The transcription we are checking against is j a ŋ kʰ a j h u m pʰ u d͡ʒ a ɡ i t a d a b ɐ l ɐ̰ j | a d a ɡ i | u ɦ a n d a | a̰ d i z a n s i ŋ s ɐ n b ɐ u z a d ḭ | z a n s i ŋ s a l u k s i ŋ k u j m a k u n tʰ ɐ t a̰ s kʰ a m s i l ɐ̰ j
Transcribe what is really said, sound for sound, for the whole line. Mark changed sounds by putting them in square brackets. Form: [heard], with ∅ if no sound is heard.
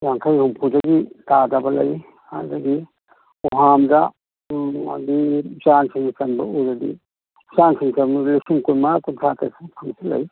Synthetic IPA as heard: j a ŋ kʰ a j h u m pʰ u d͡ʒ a ɡ i t a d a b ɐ l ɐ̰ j | a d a ɡ i | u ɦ a [m] d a | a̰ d i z a n s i ŋ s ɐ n b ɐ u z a d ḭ | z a n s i ŋ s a l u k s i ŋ k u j m a k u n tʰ [a] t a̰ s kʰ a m s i l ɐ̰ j